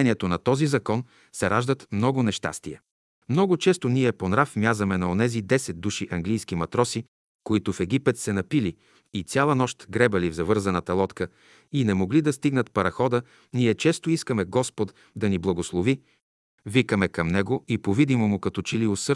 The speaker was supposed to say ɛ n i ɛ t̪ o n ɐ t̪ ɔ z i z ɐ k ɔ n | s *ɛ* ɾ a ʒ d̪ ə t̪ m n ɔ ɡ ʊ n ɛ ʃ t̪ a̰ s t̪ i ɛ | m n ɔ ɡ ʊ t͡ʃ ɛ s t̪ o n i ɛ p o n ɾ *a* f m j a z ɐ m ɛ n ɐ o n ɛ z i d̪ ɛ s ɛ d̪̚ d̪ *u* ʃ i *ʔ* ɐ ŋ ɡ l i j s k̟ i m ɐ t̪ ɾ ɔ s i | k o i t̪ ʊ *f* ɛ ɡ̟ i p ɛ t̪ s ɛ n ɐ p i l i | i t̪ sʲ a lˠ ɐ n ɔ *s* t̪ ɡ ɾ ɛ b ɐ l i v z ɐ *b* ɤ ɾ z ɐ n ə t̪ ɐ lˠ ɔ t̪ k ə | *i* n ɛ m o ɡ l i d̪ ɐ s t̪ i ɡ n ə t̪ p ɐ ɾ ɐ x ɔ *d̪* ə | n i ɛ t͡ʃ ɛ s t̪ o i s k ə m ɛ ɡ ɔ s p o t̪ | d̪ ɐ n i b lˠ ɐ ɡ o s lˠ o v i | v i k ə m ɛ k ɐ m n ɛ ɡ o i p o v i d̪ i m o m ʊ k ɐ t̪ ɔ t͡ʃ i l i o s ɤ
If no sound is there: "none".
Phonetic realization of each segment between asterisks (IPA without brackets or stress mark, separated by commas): ɛ, a, u, ʔ, f, ʃ, v, i, d̪